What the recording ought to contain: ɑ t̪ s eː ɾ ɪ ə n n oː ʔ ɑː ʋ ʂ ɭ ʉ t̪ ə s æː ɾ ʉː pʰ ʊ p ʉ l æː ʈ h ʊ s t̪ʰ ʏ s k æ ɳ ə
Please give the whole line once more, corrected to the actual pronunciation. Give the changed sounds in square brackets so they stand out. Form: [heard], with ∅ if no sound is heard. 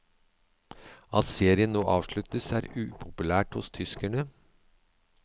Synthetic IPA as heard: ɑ t̪ s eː ɾ ɪ ə n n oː ʔ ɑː ʋ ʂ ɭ ʉ t̪ ə s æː ɾ ʉː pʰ ʊ p ʉ l æː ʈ h ʊ s t̪ʰ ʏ s k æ ɳ ə